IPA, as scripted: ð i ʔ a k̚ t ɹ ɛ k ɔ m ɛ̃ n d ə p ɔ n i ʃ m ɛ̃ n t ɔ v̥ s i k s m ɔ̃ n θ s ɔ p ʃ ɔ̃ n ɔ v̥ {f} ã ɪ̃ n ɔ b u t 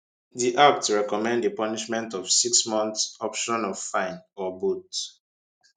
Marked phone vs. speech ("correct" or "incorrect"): correct